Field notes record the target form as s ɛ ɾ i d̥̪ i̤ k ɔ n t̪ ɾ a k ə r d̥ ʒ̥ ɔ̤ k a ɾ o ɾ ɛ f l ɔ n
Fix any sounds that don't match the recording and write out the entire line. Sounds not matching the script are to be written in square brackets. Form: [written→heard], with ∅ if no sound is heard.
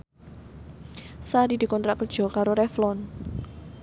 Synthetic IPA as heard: s [ɛ→a] ɾ i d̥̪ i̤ k ɔ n t̪ ɾ a k ə r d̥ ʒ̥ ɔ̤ k a ɾ o ɾ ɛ f l ɔ n